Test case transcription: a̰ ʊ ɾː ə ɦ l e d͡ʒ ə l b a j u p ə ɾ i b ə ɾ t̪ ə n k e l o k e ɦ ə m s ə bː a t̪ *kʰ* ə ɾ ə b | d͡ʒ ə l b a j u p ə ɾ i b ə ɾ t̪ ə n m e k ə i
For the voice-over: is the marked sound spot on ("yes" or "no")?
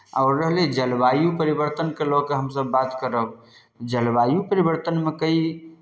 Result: no